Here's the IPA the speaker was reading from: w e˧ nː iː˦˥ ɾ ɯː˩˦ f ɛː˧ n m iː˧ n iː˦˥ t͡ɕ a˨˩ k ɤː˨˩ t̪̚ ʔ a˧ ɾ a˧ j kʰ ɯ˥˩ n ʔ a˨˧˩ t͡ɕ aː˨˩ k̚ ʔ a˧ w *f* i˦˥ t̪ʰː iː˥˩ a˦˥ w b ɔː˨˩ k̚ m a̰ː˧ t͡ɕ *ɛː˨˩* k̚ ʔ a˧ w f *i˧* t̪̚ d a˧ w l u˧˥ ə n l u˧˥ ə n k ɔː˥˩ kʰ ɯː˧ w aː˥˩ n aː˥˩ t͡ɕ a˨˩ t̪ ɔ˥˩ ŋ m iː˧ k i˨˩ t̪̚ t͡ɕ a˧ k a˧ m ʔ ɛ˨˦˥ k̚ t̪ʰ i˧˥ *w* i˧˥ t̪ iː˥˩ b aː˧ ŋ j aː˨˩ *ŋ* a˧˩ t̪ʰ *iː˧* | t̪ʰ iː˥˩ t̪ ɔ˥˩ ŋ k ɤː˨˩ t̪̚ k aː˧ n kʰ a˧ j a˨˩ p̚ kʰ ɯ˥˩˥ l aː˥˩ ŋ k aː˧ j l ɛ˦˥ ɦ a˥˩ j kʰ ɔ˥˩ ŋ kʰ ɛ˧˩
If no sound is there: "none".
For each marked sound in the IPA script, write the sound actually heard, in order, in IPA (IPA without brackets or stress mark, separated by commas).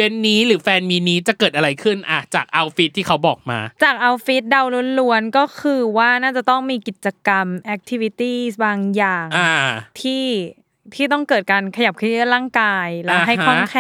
f, aː˨˩, i˦˥, w, ŋ, iː˥˩